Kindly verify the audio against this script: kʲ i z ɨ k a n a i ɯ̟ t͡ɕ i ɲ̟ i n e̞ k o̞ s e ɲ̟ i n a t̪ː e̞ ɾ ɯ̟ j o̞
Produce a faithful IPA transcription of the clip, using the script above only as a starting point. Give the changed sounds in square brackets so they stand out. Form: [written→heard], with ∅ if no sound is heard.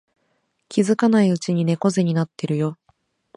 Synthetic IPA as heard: kʲ i z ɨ k a n a i ɯ̟ t͡ɕ i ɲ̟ i n e̞ k o̞ [s→z] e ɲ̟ i n a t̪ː e̞ ɾ ɯ̟ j o̞